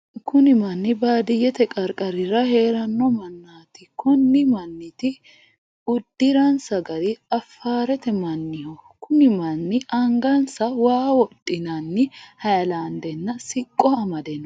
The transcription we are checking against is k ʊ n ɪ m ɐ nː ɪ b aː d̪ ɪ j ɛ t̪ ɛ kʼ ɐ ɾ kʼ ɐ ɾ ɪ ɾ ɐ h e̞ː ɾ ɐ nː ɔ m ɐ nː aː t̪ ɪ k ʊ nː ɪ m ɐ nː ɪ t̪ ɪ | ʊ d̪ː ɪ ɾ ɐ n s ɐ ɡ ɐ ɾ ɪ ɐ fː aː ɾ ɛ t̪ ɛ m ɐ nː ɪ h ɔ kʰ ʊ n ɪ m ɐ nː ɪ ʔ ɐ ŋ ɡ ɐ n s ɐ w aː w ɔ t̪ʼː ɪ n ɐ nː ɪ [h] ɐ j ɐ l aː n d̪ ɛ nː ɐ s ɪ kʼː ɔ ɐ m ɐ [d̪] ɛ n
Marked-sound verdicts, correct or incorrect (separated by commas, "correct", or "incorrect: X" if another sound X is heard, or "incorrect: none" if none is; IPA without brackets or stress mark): correct, correct